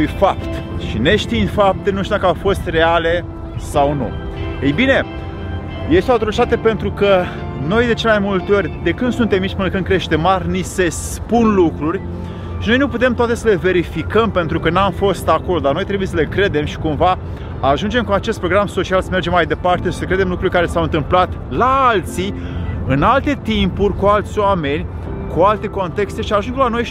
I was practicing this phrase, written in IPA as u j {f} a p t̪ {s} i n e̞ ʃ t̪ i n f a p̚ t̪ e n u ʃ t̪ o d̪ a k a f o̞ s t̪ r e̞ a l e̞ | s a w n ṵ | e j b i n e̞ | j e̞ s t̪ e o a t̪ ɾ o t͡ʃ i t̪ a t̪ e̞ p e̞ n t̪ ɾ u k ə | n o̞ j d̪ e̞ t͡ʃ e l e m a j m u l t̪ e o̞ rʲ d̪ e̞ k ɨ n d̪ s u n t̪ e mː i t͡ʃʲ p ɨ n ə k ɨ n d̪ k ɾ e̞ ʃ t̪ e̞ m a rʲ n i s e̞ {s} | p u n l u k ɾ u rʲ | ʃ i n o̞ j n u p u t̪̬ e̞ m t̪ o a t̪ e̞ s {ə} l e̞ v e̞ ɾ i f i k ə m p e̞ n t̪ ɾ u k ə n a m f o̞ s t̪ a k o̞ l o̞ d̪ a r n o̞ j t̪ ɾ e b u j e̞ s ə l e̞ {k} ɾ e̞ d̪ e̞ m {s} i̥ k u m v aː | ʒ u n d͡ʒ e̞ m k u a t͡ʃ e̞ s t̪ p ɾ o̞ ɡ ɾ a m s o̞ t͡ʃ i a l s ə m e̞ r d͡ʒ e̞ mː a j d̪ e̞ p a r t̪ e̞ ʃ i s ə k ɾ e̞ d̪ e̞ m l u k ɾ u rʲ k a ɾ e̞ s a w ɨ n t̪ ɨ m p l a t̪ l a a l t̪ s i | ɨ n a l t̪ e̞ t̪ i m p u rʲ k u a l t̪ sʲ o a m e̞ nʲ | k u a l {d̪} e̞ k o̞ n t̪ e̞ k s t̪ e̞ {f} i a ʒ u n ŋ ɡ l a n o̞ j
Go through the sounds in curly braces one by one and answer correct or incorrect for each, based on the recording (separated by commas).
correct, incorrect, correct, correct, correct, incorrect, incorrect, incorrect